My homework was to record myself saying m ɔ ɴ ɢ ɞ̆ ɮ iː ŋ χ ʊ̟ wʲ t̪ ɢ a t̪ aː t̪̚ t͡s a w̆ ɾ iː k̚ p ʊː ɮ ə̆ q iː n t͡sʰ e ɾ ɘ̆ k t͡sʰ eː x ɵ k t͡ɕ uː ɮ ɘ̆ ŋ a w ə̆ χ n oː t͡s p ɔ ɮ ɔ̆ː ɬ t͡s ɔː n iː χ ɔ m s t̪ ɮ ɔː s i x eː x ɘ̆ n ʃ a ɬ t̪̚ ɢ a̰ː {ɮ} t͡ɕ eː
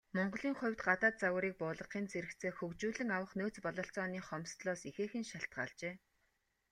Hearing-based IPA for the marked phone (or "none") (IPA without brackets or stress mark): ɮ